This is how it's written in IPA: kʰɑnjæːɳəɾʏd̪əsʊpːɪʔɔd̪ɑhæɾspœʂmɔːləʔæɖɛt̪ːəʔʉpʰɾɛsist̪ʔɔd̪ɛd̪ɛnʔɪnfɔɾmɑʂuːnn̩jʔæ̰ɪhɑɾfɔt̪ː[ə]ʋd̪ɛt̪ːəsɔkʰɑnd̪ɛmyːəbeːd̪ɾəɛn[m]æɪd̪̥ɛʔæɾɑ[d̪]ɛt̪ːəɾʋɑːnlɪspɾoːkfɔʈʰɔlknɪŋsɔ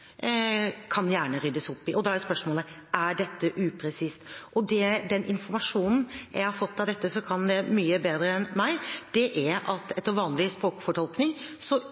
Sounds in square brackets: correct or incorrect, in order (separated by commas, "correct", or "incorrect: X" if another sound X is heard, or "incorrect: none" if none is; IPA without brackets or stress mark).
incorrect: ɑ, correct, incorrect: t̪